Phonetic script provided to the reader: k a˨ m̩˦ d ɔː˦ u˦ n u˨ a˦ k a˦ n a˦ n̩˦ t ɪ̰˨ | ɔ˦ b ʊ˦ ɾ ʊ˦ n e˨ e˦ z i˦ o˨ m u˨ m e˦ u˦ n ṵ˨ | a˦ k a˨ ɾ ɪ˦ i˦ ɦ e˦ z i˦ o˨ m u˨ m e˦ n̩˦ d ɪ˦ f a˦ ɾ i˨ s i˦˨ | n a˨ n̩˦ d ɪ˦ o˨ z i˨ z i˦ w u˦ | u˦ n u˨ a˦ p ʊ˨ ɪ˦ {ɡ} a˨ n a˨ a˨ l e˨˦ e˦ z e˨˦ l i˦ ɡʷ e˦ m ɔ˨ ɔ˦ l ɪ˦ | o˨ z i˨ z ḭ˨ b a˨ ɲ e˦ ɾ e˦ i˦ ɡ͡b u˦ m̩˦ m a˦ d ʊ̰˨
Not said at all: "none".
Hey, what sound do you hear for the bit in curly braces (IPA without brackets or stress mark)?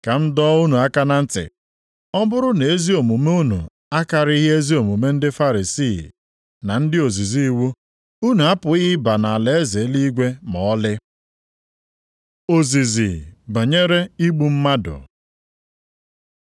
b